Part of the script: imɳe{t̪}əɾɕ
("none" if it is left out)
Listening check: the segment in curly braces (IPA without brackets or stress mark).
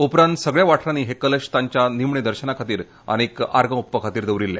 d̪